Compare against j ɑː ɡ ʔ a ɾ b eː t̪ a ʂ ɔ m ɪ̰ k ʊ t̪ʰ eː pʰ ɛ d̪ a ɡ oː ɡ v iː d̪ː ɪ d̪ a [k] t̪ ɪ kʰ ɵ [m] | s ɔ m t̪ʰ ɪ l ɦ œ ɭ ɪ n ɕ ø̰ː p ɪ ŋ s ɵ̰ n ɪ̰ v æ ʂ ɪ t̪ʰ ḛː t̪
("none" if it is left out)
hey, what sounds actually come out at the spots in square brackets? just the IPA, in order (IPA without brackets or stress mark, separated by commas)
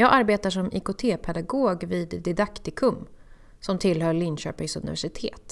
k, m